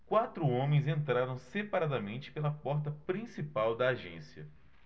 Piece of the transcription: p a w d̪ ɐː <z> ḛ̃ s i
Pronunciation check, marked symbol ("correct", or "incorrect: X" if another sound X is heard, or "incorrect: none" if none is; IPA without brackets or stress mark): incorrect: ʒ